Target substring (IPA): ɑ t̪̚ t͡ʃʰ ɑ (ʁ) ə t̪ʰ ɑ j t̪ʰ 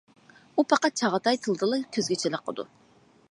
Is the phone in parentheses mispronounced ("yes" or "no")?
no